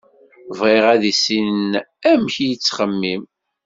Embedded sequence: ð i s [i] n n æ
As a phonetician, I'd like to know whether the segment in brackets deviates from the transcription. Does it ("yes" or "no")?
no